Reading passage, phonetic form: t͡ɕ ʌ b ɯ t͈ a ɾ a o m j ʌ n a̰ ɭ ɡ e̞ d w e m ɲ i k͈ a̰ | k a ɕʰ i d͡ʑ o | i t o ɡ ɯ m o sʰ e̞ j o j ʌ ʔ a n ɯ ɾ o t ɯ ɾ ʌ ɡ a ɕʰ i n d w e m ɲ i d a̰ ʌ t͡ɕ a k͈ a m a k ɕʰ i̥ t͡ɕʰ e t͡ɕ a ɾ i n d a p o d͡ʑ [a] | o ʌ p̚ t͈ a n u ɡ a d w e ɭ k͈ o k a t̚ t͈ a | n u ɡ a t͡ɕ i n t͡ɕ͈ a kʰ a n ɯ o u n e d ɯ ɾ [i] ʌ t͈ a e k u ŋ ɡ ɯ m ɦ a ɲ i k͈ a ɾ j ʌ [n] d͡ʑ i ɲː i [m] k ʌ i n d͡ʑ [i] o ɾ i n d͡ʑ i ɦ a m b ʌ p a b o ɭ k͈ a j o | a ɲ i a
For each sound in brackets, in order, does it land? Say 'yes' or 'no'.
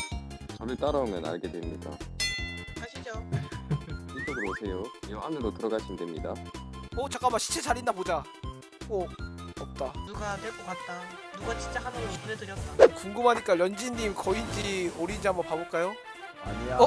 yes, no, yes, yes, yes

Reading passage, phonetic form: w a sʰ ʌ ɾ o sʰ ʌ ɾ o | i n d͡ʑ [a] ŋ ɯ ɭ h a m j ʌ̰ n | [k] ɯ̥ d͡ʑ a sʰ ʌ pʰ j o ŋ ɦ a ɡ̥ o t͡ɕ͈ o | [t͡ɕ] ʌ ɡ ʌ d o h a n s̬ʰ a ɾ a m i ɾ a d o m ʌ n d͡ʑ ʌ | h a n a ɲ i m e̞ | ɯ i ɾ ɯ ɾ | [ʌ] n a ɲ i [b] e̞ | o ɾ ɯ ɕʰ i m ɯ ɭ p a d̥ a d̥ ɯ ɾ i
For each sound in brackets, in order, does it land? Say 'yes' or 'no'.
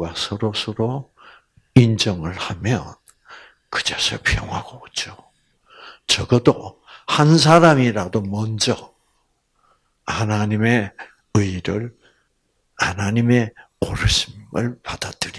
no, yes, yes, no, no

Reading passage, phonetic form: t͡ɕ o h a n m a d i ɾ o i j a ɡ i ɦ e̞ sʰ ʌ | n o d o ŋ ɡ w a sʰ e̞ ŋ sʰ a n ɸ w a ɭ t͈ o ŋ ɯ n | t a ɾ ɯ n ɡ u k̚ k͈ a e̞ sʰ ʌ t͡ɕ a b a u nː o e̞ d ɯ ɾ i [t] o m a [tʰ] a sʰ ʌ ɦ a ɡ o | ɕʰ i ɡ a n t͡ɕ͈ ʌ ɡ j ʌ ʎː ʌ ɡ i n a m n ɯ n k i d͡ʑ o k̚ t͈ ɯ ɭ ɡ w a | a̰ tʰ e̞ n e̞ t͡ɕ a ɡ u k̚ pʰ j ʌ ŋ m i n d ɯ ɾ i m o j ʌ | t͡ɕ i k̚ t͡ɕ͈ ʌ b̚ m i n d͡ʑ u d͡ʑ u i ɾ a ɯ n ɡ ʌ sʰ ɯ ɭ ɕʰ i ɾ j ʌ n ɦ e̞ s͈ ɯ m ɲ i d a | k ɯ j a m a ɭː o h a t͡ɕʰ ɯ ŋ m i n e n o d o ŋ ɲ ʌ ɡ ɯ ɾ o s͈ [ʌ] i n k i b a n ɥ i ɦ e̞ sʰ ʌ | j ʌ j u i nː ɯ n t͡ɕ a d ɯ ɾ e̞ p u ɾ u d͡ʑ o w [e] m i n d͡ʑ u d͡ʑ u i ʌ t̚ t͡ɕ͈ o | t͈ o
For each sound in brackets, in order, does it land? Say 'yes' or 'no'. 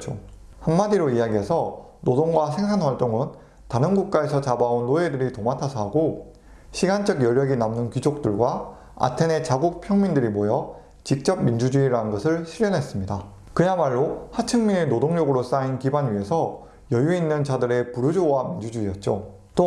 yes, yes, no, no

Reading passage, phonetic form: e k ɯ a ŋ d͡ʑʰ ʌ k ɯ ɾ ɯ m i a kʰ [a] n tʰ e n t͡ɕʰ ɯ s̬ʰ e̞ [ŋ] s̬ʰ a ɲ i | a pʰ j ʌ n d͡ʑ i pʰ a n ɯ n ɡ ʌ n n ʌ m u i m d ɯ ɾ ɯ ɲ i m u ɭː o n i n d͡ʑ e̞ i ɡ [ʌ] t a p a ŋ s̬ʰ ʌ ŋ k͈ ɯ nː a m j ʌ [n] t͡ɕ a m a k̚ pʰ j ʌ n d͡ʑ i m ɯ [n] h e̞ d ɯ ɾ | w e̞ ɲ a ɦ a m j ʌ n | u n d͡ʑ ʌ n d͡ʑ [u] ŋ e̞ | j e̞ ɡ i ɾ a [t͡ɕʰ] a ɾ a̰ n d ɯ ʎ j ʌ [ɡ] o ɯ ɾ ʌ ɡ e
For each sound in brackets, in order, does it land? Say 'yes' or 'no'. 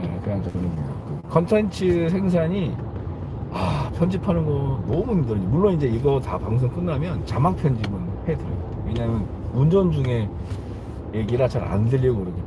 no, yes, yes, yes, yes, yes, no, yes

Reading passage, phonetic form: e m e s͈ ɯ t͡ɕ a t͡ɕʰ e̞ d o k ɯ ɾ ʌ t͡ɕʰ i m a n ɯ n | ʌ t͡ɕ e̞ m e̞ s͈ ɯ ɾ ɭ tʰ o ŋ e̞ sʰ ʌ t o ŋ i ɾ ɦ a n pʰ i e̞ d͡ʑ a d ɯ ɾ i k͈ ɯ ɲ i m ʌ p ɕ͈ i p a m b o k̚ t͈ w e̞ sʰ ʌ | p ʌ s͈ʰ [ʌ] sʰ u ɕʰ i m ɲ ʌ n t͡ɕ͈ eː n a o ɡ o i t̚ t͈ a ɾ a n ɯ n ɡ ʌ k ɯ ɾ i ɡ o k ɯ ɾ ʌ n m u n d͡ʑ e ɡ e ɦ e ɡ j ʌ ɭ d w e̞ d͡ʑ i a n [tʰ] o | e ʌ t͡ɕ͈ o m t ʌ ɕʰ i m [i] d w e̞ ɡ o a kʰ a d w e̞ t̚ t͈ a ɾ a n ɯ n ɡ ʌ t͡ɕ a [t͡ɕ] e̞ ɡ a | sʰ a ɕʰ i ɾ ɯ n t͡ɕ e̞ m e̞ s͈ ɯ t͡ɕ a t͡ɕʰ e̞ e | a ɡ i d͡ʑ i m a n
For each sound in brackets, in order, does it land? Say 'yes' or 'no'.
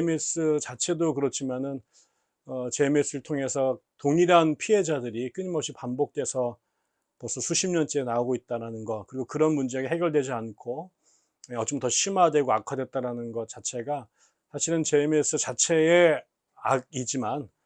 yes, no, no, no

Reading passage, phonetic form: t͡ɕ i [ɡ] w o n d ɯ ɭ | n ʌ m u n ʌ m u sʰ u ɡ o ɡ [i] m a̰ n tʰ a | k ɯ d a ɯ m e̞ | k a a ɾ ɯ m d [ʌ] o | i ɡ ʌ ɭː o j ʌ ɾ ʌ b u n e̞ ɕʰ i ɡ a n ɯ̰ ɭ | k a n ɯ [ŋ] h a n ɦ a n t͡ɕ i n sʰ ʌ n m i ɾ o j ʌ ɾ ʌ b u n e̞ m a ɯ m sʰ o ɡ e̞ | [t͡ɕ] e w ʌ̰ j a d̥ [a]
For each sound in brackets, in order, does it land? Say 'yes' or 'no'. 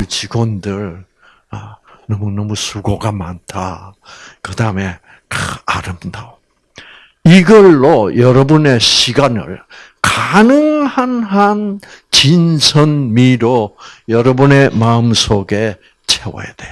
yes, no, no, yes, no, no

